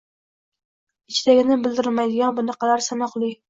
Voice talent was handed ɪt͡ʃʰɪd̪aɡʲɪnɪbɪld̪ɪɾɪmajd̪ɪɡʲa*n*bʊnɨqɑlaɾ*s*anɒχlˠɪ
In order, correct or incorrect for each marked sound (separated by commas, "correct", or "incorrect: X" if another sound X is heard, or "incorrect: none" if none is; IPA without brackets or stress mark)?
correct, correct